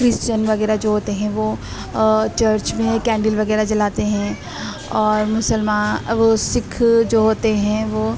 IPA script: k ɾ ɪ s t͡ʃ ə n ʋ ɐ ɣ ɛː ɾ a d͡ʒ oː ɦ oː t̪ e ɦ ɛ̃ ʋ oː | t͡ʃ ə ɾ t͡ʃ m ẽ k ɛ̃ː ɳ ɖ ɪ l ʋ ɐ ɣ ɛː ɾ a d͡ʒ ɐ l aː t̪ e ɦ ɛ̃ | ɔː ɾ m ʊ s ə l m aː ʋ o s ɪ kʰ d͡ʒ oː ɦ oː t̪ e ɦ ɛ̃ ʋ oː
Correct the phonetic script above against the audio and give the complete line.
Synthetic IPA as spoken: k ɾ ɪ s t͡ʃ ə n ʋ ɐ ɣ ɛː ɾ a d͡ʒ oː ɦ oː t̪ e ɦ ɛ̃ ʋ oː | t͡ʃ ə ɾ t͡ʃ m ẽ k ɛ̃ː ɳ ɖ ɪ l ʋ ɐ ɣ ɛː ɾ a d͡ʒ ɐ l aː t̪ e ɦ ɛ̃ | ɔː ɾ m ʊ s ə l m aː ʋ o s ɪ kʰ d͡ʒ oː ɦ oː t̪ e ɦ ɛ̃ ʋ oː